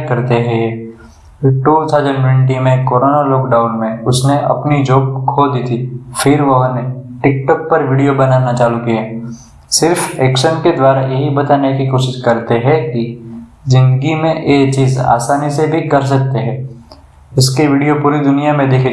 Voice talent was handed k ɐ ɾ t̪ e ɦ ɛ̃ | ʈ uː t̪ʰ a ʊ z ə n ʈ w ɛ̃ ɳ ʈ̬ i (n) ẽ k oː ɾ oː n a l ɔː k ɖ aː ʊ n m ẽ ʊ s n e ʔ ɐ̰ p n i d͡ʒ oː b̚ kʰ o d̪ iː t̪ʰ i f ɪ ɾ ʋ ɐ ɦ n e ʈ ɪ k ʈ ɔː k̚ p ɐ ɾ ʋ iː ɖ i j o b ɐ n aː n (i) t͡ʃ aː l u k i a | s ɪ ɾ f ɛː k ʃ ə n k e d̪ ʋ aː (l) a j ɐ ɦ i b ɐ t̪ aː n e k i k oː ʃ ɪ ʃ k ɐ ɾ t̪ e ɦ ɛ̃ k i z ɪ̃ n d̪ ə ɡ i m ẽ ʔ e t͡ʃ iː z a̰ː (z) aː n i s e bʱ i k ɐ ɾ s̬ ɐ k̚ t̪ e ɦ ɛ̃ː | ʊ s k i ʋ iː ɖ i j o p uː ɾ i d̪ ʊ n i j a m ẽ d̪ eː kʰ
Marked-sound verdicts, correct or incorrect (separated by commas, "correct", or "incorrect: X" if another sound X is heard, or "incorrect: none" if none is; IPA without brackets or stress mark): incorrect: m, incorrect: a, incorrect: ɾ, incorrect: s